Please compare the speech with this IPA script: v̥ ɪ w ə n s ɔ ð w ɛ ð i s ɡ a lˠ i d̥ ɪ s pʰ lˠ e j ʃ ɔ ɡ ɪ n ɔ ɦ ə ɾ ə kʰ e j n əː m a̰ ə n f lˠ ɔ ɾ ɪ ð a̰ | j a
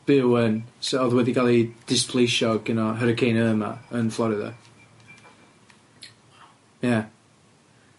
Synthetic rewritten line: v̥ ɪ w ə n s ɔ ð w ɛ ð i ɡ a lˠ i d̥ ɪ s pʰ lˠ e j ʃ ɔ ɡ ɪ n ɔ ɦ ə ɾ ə kʰ e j n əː m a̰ ə n f lˠ ɔ ɾ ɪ ð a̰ | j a